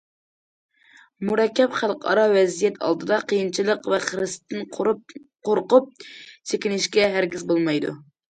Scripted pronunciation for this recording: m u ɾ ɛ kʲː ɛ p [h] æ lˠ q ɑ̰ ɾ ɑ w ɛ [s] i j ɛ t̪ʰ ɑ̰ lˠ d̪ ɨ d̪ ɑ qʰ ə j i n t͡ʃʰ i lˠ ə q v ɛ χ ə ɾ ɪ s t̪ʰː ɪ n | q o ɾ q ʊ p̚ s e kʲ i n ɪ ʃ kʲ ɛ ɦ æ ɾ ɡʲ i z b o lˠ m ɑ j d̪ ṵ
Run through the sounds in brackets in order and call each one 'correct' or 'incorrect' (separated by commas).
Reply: incorrect, incorrect